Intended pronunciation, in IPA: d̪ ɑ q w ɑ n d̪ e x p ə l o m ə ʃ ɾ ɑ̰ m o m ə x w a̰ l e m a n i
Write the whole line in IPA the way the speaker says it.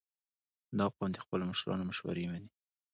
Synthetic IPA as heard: d̪ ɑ q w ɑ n d̪ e x p ə l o m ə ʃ ɾ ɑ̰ n o m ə ʃ w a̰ ɾ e m a n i